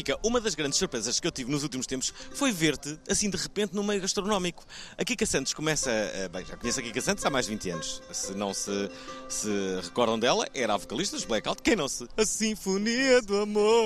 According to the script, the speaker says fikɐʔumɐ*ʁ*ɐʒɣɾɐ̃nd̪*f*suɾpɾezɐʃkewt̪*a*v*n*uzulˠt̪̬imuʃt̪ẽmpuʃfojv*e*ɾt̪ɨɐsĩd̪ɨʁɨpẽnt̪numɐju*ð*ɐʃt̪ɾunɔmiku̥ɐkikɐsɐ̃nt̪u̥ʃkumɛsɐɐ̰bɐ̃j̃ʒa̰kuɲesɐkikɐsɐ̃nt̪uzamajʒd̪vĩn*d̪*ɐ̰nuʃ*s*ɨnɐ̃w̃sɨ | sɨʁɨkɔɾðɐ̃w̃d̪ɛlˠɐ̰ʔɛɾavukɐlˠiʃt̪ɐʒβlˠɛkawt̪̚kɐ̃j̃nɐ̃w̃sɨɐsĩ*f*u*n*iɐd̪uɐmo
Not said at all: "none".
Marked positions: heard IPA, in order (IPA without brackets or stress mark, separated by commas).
ð, ʃ, i, n, e, ɣ, t̪, s, f, n